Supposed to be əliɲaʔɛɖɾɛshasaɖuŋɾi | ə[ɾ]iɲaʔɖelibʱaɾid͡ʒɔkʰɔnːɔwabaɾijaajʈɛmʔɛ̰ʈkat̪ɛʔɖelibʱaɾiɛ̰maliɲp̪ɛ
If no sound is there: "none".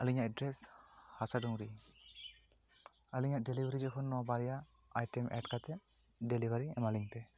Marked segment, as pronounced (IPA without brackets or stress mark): l